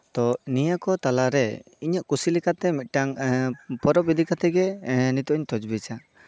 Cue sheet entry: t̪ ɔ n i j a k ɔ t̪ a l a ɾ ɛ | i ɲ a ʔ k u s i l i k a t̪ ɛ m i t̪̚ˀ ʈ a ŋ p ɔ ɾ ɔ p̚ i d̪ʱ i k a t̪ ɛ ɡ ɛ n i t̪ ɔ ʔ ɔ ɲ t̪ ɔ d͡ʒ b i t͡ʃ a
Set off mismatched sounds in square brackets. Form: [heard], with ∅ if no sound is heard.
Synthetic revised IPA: t̪ ɔ n i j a k ɔ t̪ a l a ɾ ɛ | i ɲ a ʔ k u s i l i k a t̪ ɛ m i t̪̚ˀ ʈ a ŋ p ɔ ɾ ɔ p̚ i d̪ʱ i k a t̪ ɛ ɡ ɛ n i t̪ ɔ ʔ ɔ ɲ t̪ ɔ d͡ʒ b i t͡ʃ a

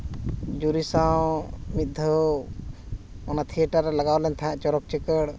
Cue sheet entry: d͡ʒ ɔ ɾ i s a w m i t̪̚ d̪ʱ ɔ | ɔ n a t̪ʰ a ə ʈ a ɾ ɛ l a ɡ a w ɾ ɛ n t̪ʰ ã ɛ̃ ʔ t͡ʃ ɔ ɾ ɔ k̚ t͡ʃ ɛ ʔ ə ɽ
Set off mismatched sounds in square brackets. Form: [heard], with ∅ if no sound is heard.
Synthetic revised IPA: d͡ʒ [u] ɾ i s a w m i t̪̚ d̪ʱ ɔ | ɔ n a t̪ʰ [i] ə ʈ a ɾ ɛ l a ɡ a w [l] ɛ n t̪ʰ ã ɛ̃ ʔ t͡ʃ ɔ ɾ ɔ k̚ t͡ʃ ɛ [k] ə ɽ

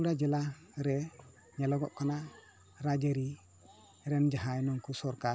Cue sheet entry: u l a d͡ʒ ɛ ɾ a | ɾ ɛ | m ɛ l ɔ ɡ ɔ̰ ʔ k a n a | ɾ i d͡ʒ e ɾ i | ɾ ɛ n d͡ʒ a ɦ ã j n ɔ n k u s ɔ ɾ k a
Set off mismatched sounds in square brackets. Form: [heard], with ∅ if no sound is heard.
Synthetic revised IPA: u [ɽ] a d͡ʒ ɛ [l] a | ɾ ɛ | [ɲ] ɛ l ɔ ɡ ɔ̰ ʔ k a n a | ɾ [a] d͡ʒ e ɾ i | ɾ ɛ n d͡ʒ a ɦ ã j n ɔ [ŋ] k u s ɔ ɾ k a

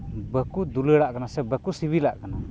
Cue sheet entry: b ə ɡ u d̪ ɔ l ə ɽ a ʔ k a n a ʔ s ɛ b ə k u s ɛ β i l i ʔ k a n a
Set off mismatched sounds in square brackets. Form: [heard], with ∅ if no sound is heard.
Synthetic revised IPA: b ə [k] u d̪ [u] l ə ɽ a ʔ k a n a [∅] s ɛ b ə k u s [i] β i l [a] ʔ k a n a

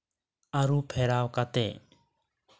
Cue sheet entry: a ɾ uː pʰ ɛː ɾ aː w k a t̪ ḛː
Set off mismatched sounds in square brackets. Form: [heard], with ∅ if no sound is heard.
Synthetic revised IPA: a ɾ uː pʰ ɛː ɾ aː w k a t̪ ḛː

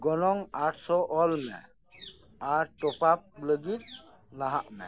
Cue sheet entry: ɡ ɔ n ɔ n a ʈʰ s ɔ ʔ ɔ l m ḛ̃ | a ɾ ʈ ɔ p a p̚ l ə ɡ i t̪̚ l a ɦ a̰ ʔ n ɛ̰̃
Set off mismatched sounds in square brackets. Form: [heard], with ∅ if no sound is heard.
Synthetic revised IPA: ɡ ɔ n ɔ [ŋ] a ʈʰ s ɔ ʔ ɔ l m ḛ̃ | a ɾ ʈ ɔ p a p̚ l ə ɡ i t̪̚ l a ɦ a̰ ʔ [m] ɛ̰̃

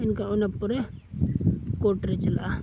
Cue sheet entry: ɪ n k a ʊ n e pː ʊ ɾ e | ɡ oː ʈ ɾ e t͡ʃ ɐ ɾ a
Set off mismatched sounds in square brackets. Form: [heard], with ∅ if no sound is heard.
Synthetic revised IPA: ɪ n k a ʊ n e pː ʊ ɾ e | [k] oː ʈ ɾ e t͡ʃ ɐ [l] a

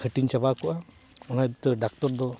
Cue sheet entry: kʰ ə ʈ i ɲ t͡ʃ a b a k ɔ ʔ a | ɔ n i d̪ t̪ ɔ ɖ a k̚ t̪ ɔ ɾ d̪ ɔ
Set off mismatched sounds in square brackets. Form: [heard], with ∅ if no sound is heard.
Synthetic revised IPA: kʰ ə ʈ i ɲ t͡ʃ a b a k ɔ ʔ a | ɔ n [a] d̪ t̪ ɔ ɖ a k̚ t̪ ɔ ɾ d̪ ɔ

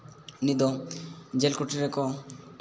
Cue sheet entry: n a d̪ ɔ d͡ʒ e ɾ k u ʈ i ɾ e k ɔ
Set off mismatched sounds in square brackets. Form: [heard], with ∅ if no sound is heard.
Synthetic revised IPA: n [i] d̪ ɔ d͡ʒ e [l] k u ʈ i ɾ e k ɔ

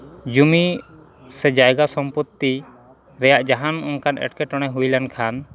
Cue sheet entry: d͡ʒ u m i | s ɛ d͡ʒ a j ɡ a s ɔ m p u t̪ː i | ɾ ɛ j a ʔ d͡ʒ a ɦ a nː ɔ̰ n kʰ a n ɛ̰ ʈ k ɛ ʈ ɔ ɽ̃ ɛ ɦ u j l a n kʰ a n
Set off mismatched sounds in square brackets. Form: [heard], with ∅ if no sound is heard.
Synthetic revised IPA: d͡ʒ u m i | s ɛ d͡ʒ a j ɡ a s ɔ m p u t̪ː i | ɾ ɛ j a ʔ d͡ʒ a ɦ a [n] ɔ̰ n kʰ a n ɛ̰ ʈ k ɛ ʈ ɔ ɽ̃ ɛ ɦ u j l a n kʰ a n

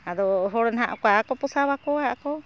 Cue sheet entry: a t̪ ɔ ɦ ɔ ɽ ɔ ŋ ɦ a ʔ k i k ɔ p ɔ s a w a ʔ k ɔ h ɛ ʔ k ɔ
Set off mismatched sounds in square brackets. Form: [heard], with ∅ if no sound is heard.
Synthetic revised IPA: a [d̪] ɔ ɦ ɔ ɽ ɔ [n] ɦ a ʔ k [a] k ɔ p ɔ s a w a [∅] k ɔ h [a] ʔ k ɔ

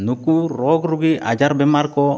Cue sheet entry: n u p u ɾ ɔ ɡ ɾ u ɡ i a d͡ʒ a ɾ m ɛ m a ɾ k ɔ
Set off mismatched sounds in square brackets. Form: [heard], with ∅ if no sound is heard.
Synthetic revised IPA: n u [k] u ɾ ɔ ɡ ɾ u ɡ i a d͡ʒ a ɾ [b] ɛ m a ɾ k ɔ

